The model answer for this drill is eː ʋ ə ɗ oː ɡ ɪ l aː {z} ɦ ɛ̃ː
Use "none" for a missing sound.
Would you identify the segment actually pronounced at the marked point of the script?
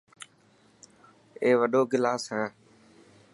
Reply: s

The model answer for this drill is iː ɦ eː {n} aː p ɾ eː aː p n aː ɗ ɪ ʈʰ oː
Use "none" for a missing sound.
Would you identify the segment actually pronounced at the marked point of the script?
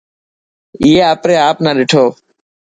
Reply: none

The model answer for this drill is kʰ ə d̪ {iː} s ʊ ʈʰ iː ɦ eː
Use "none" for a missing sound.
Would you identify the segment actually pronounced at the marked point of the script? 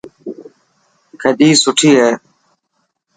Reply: iː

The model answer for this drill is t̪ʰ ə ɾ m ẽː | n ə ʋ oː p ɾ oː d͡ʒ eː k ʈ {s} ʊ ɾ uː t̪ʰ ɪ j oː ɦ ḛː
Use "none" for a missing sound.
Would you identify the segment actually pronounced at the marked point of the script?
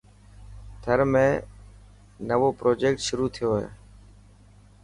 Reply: ʃ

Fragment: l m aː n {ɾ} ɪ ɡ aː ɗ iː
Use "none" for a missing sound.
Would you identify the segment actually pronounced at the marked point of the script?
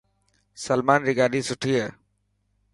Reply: ɾ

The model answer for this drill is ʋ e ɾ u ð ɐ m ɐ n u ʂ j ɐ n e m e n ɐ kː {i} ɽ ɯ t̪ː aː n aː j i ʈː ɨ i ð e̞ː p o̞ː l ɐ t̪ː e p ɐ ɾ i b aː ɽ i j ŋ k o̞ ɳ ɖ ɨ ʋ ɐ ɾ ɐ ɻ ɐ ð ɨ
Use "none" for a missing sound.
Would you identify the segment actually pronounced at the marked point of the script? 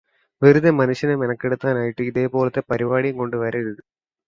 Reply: e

